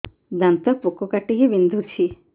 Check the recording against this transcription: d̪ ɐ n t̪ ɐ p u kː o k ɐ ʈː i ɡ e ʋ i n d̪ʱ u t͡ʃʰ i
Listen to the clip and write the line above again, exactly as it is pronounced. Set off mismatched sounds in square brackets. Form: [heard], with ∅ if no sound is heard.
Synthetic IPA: d̪ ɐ n t̪ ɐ p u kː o k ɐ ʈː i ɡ e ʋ i n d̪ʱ u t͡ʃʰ i